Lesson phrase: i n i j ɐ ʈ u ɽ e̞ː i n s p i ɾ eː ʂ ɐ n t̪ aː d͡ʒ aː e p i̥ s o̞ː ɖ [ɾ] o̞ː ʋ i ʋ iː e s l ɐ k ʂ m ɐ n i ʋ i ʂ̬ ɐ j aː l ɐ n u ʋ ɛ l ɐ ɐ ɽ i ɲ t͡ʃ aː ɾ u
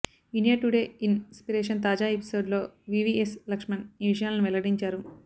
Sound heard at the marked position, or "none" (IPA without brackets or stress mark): l